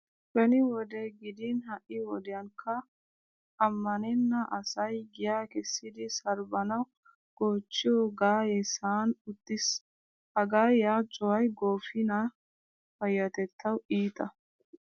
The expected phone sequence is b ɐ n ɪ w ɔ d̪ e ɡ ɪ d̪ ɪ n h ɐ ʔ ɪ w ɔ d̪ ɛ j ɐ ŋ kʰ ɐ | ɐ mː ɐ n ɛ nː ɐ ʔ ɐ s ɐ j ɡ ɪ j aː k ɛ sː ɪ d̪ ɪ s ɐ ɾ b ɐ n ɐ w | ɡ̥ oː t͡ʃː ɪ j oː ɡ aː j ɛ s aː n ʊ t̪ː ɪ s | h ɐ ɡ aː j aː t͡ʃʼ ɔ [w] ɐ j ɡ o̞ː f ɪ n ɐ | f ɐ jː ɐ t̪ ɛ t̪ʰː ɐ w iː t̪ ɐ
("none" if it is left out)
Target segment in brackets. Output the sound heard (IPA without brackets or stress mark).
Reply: w